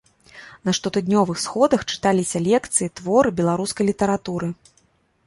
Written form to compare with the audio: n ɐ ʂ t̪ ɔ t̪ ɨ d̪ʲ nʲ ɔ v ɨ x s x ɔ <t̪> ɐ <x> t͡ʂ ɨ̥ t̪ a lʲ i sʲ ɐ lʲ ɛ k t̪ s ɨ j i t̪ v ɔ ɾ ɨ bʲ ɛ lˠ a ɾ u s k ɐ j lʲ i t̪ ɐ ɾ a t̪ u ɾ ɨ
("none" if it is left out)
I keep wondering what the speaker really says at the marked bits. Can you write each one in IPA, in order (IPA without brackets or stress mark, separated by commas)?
d̪, x